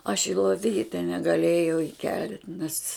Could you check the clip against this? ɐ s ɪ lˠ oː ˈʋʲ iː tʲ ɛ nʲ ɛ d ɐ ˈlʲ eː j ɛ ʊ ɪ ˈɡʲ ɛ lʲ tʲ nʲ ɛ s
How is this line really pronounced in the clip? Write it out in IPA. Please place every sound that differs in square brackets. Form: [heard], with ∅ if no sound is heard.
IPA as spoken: ɐ [ʃ] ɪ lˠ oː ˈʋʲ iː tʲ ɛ nʲ ɛ [ɡ] ɐ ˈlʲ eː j ɛ ʊ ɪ [ˈkʲ] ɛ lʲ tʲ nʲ ɛ s